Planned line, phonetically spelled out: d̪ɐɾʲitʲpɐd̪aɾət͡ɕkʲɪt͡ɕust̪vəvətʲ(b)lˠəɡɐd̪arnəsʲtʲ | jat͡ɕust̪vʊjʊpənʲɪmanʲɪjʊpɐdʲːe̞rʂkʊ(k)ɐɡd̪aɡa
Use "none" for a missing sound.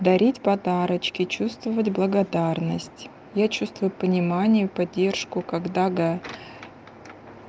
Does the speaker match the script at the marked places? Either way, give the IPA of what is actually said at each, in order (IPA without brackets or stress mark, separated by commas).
b, k